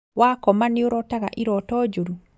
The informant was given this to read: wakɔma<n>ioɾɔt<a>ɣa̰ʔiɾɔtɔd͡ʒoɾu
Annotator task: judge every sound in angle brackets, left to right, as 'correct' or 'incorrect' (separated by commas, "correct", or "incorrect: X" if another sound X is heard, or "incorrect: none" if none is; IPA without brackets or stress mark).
correct, correct